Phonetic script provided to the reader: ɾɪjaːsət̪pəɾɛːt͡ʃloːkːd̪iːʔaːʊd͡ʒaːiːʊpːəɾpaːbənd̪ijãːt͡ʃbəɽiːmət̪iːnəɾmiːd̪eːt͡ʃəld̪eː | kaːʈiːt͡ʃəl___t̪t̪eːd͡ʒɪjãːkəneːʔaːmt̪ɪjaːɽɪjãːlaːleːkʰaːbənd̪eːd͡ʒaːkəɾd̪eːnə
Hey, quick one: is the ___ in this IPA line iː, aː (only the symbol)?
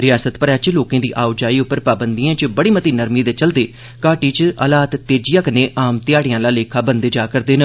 aː